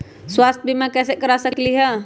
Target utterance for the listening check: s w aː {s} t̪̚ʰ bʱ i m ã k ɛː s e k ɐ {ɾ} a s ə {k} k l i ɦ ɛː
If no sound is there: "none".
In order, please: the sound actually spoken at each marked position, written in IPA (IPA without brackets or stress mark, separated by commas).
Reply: s, ɾ, k